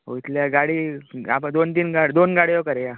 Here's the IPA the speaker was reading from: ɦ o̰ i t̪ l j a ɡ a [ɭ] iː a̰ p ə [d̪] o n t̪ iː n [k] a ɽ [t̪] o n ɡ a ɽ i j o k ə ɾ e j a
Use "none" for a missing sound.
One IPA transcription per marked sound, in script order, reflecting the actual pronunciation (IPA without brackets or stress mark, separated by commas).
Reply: ɽ, d̪, ɡ, d̪